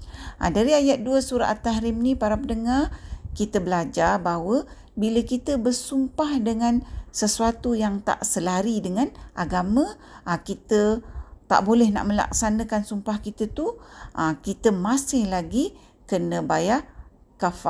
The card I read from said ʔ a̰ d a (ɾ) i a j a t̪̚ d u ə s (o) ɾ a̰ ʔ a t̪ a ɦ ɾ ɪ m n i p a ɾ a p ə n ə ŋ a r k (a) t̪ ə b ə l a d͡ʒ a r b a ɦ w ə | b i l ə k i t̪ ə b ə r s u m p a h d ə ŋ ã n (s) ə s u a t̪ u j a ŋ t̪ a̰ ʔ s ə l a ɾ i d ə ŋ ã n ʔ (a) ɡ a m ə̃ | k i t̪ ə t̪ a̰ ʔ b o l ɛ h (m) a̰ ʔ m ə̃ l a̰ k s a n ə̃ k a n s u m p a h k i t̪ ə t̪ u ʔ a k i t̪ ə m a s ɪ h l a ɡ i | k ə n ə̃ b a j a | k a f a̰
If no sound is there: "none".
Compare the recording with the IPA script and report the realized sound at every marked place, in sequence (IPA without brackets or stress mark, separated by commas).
ɾ, u, i, s, a, n